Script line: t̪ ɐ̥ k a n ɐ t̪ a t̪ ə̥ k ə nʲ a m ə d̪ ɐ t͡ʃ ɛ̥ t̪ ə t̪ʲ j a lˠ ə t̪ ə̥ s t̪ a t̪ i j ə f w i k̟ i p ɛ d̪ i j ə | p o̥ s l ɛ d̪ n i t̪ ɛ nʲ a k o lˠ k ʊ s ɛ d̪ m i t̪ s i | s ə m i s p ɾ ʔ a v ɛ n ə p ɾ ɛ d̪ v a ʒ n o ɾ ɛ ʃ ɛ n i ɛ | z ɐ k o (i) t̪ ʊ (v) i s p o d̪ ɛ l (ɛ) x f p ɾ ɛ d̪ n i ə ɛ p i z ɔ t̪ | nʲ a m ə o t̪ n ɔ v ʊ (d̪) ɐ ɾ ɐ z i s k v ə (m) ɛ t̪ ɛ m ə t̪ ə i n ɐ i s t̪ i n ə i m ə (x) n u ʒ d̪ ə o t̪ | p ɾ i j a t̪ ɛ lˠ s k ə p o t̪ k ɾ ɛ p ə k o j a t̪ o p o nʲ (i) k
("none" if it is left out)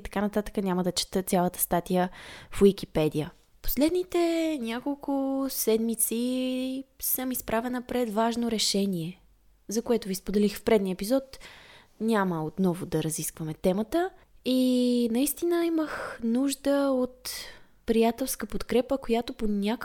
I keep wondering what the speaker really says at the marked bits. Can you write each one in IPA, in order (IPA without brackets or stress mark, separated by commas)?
ɛ, v, i, d̪, m, x, a